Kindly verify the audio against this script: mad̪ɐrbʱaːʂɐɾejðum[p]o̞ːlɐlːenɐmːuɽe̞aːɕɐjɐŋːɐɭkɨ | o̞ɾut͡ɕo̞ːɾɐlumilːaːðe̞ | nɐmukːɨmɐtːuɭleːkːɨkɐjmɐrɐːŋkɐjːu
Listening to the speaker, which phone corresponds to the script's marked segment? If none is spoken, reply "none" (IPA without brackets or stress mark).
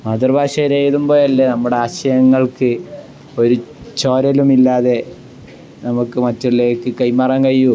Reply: b